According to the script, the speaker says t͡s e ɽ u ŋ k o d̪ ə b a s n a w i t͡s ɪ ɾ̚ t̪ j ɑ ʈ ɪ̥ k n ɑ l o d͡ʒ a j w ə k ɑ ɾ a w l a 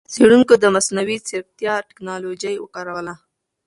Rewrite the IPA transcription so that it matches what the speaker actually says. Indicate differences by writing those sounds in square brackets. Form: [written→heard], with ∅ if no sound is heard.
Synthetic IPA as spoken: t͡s e ɽ u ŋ k o d̪ ə [b→m] a s n a w i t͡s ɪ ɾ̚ t̪ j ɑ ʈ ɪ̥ k n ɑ l o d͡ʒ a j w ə k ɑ ɾ a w l a